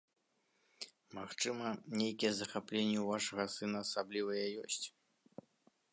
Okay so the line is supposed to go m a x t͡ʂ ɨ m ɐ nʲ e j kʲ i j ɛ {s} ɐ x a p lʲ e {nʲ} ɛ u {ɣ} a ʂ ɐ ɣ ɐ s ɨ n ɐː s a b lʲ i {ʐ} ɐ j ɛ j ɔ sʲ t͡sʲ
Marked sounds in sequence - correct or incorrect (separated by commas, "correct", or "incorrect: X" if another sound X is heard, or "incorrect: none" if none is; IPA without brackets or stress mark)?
incorrect: z, incorrect: nʲː, incorrect: v, incorrect: v